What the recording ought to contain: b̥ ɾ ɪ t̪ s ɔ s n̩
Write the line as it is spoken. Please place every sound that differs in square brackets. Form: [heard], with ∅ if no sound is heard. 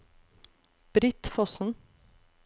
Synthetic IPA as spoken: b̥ ɾ ɪ t̪ [f] ɔ s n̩